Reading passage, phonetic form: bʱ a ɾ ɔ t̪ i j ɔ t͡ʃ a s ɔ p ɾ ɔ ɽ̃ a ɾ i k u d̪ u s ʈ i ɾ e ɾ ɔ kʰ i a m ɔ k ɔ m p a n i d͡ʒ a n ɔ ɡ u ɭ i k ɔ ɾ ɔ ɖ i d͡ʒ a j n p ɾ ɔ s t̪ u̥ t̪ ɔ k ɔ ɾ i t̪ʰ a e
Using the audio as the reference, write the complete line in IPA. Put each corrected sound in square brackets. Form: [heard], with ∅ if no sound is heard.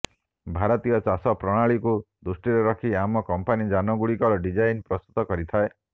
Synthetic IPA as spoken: bʱ a ɾ ɔ t̪ i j ɔ t͡ʃ a s ɔ p ɾ ɔ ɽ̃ a [ɭ] i k u d̪ u s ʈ i ɾ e ɾ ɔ kʰ i a m ɔ k ɔ m p a n i d͡ʒ a n ɔ ɡ u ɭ i k ɔ ɾ ɔ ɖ i d͡ʒ a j n p ɾ ɔ s t̪ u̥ t̪ ɔ k ɔ ɾ i t̪ʰ a e